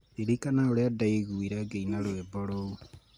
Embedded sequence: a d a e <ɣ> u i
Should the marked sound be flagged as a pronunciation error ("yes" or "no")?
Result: no